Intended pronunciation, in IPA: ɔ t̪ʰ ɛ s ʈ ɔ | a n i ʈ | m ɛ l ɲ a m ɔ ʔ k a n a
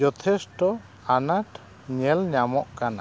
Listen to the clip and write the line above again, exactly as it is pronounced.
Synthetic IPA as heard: ɔ t̪ʰ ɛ s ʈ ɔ | a n a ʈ | ɲ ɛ l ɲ a m ɔ ʔ k a n a